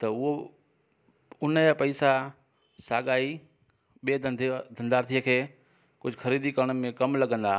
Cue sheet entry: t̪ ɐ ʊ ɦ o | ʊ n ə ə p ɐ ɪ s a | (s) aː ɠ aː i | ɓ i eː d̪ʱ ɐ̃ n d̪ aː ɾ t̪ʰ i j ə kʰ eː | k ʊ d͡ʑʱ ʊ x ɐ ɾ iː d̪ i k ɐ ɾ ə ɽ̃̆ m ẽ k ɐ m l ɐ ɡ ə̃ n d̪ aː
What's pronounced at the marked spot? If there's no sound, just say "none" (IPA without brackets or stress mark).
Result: s